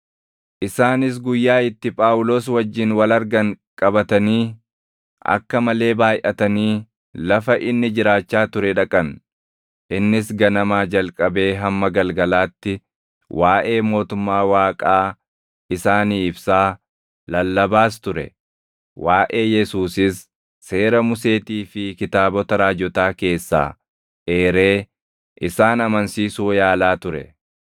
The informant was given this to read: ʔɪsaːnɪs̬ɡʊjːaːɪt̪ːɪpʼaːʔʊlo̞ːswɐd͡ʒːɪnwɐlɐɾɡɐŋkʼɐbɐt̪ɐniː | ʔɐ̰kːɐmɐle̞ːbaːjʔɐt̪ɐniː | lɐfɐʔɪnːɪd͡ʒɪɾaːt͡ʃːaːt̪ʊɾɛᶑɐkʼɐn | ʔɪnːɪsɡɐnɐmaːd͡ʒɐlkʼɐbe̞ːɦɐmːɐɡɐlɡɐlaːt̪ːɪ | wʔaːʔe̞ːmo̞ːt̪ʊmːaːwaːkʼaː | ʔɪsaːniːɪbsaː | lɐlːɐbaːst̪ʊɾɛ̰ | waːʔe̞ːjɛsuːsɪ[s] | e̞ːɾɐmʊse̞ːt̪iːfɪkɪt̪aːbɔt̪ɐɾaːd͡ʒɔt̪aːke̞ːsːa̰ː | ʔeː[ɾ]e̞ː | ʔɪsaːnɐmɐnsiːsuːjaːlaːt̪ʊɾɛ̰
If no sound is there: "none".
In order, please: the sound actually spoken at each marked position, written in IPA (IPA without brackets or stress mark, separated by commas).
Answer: sː, ɾ